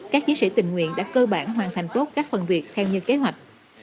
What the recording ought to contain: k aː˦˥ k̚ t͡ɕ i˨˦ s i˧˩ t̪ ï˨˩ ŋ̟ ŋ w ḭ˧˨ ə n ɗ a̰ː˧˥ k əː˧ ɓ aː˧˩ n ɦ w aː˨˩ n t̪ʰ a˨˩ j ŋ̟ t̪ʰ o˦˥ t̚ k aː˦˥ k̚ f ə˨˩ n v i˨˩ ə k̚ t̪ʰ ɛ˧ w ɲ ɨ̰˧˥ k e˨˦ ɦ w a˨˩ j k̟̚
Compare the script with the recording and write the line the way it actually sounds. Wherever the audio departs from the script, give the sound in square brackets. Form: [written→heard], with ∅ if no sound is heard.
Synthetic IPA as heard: k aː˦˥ k̚ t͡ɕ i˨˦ s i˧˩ t̪ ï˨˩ ŋ̟ ŋ w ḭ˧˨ ə n ɗ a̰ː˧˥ k əː˧ ɓ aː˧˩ n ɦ w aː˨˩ n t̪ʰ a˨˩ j ŋ̟ [t̪ʰ→t̪] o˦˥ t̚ k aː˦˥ k̚ f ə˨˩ n v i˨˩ ə k̚ t̪ʰ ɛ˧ w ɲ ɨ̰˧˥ k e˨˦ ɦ w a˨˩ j k̟̚